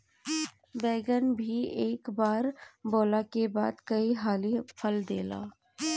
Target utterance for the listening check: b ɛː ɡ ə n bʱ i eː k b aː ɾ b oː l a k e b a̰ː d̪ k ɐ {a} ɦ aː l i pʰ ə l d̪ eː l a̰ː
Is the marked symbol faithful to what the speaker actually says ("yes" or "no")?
no